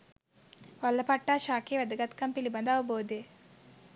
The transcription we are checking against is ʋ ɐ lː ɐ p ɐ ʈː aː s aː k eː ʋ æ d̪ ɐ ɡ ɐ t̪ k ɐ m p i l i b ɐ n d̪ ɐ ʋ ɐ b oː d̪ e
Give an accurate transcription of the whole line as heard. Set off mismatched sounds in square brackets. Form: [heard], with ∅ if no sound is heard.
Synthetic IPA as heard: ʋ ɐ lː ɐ p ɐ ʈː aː [ʃ] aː k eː ʋ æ d̪ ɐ ɡ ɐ t̪ k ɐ m p i l i b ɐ n d̪ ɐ ʋ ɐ b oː d̪ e